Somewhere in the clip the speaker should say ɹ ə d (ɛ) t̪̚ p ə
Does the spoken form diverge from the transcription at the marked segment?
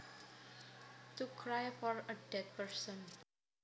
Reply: no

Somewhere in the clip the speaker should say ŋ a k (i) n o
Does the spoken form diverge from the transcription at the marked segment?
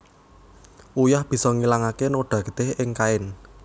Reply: yes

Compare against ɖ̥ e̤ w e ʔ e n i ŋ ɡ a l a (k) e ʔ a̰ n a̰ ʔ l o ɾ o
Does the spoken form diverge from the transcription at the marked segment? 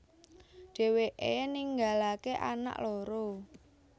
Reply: no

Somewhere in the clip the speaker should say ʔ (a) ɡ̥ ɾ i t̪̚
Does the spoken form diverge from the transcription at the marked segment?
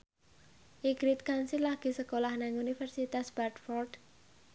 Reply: yes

